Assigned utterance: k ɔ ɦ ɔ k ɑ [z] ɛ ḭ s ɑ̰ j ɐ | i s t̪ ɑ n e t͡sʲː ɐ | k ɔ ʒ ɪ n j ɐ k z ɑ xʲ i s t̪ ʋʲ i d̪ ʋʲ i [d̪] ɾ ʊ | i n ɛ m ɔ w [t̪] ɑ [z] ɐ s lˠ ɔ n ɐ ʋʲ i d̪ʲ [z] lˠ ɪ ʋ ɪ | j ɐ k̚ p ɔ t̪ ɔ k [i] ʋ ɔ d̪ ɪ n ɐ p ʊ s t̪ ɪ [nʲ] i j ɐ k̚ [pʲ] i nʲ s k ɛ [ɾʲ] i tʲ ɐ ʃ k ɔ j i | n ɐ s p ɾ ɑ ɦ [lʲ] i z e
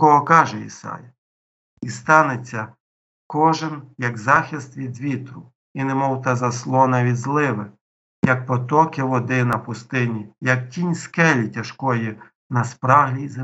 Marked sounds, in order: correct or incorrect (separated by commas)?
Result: incorrect, incorrect, correct, correct, correct, incorrect, correct, incorrect, incorrect, correct